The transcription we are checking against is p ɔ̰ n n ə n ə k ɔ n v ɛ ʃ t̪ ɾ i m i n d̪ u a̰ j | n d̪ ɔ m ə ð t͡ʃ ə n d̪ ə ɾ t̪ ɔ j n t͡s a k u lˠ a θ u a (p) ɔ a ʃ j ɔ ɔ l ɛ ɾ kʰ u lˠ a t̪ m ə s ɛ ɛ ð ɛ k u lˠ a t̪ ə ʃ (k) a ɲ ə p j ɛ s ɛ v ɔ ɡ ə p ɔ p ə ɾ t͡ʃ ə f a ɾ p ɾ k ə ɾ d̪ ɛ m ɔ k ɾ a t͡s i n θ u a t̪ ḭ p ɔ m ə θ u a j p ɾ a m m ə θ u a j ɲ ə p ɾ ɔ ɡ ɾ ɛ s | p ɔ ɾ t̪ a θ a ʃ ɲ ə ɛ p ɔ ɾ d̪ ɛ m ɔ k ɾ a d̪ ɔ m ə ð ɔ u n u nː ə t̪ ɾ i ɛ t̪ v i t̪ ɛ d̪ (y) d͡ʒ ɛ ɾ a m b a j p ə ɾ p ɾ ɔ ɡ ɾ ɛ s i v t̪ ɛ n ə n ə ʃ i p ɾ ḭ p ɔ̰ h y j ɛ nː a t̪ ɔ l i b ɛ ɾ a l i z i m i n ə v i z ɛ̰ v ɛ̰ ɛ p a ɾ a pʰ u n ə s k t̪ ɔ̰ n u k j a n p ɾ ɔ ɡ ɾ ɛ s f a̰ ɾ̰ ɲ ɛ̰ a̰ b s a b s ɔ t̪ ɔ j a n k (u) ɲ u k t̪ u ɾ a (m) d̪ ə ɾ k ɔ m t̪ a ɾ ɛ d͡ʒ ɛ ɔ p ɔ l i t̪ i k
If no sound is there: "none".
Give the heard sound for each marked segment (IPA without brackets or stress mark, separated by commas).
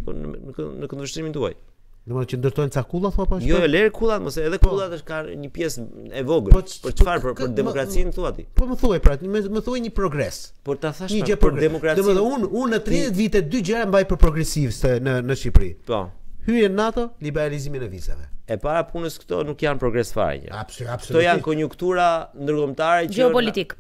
p, k, y, ɔ, n